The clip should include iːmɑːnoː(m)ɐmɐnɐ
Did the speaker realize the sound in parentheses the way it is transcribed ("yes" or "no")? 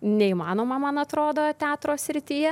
yes